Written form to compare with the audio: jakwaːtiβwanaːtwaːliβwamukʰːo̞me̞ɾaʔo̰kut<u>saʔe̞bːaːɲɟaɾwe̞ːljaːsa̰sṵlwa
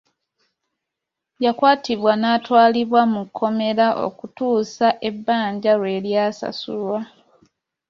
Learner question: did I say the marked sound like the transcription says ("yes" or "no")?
no